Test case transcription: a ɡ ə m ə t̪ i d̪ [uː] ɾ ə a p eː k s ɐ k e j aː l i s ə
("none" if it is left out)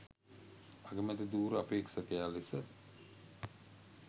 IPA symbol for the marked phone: uː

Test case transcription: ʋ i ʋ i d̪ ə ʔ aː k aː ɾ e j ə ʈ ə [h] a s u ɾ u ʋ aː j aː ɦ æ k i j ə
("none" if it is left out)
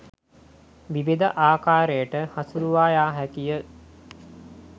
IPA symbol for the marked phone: h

